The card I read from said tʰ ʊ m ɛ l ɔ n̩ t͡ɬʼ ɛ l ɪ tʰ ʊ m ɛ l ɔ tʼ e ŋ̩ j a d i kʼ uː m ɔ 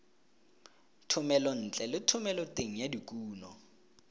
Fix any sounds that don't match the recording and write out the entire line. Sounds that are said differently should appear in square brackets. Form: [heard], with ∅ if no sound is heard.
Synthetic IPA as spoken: tʰ ʊ m ɛ l ɔ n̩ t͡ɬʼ ɛ l ɪ tʰ ʊ m ɛ l ɔ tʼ e ŋ̩ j a d i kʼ uː [n] ɔ